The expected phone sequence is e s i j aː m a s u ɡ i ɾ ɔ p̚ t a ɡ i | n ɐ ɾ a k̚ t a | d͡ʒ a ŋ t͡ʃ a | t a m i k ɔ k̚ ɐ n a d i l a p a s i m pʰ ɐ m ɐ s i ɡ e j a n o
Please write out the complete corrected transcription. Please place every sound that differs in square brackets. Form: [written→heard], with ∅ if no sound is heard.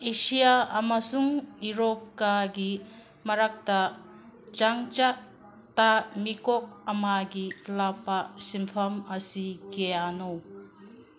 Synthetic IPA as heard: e s i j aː m a s u [ɡ→ŋ] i ɾ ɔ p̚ [t→k] a ɡ i | [n→m] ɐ ɾ a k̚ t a | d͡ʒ a ŋ t͡ʃ a | t a m i k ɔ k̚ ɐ [n→m] a [d→ɡ] i l a p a s i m pʰ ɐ m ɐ s i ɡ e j a n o